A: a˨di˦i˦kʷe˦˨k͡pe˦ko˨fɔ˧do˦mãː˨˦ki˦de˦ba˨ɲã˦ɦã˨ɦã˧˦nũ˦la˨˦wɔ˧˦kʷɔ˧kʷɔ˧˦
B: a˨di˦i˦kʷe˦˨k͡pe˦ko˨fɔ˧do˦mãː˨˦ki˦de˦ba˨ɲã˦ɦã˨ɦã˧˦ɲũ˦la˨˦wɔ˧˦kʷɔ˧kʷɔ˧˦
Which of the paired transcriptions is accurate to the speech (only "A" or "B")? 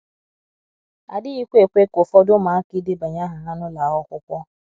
A